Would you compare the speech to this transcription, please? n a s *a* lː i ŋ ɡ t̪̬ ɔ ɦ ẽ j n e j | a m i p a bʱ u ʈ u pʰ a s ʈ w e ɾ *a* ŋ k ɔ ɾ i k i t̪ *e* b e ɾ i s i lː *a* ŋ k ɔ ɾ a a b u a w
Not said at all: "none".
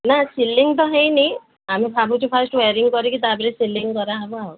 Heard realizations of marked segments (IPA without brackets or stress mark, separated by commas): i, i, a, i